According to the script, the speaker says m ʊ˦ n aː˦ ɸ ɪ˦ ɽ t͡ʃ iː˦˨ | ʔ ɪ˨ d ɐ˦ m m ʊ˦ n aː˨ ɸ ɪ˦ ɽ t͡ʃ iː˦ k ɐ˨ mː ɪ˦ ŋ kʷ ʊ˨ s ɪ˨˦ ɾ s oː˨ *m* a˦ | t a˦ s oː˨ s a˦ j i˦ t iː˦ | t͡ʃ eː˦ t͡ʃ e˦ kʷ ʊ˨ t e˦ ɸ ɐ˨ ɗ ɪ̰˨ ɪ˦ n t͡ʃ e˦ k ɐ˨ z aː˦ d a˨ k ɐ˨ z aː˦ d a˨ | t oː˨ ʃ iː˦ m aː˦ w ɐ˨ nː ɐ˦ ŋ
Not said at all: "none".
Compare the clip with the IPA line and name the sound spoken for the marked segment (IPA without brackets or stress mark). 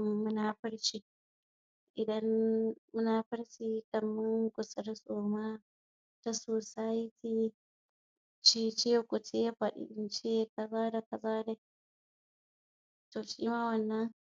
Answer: m